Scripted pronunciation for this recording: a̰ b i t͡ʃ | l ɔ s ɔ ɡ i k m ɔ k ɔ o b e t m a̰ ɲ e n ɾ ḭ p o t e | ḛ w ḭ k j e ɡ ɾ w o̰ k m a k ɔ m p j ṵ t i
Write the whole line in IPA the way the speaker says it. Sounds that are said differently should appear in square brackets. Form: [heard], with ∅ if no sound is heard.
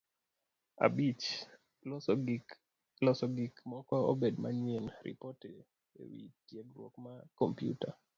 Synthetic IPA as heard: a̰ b i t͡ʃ | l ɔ s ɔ ɡ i k m ɔ k ɔ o b e [d] m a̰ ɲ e n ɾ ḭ p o t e | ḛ w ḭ [t] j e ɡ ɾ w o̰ k m a k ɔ m p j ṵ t [a]